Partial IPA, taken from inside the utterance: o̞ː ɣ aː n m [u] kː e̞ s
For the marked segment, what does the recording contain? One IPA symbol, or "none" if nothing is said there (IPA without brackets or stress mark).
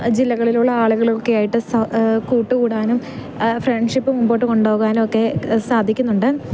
o